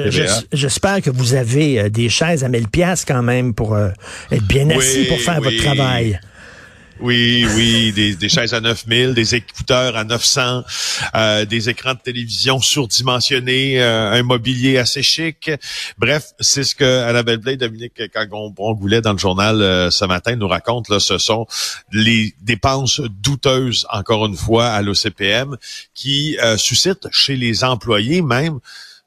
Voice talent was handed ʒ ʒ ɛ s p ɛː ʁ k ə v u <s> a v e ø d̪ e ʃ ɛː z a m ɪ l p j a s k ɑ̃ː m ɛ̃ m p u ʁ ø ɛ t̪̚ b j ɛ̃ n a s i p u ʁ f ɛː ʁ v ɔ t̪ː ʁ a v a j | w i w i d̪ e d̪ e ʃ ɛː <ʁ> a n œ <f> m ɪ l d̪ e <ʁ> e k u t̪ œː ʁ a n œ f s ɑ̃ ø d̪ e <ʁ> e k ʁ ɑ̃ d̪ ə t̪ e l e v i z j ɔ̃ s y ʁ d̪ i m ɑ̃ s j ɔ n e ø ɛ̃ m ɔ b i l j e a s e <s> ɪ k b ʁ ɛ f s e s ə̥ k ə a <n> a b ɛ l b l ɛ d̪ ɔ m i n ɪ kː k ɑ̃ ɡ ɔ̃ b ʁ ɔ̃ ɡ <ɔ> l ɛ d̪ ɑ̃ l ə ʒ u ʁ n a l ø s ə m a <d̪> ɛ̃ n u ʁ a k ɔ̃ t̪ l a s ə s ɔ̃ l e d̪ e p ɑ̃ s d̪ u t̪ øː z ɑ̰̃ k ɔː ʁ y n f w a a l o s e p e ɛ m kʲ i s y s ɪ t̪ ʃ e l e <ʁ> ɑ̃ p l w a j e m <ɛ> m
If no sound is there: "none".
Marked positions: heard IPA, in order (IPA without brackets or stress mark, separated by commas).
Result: z, z, f, z, z, ʃ, n, u, t̪, z, ɛ̃